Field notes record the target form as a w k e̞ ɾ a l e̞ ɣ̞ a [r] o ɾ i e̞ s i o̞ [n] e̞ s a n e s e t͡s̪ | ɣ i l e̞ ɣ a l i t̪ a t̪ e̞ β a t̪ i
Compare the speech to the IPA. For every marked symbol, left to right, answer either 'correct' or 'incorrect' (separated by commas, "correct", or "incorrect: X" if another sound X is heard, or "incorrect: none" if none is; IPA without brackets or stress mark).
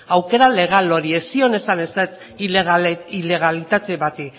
incorrect: l, correct